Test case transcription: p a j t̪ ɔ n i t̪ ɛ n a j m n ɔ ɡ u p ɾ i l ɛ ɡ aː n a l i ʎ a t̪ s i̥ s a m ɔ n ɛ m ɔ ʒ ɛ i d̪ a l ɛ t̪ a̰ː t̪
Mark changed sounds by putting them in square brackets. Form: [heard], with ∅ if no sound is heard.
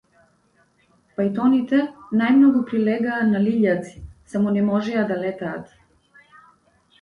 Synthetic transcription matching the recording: p a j t̪ ɔ n i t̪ ɛ n a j m n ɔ ɡ u p ɾ i l ɛ ɡ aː n a l i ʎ a t̪ s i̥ s a m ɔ n ɛ m ɔ ʒ ɛ [a] d̪ a l ɛ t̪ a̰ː t̪